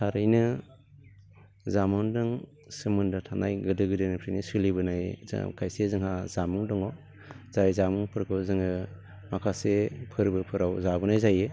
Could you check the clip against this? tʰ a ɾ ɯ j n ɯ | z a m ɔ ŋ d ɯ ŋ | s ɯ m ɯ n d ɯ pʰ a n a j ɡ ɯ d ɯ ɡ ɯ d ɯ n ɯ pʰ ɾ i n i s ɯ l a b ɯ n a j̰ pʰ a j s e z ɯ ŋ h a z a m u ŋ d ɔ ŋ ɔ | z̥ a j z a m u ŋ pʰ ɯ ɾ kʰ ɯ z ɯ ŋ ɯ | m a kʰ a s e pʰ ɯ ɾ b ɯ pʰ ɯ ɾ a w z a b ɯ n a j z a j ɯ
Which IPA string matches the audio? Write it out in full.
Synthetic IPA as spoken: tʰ a ɾ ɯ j n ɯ | z a m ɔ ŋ d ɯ ŋ | s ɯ m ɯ n d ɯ tʰ a n a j ɡ ɯ d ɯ ɡ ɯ d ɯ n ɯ pʰ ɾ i n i s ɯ l i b ɯ n a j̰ kʰ a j s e z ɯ ŋ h a z a m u ŋ d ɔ ŋ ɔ | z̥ a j z a m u ŋ pʰ ɯ ɾ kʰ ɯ z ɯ ŋ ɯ | m a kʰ a s e pʰ ɯ ɾ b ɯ pʰ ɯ ɾ a w z a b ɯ n a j z a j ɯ